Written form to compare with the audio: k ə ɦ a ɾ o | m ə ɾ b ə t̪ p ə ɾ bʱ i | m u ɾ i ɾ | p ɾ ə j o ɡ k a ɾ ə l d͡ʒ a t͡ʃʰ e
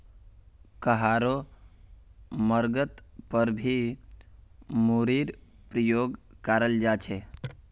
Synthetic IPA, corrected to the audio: k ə ɦ a ɾ o | m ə ɾ ɡ ə t̪ p ə ɾ bʱ i | m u ɾ i ɾ | p ɾ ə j o ɡ k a ɾ ə l d͡ʒ a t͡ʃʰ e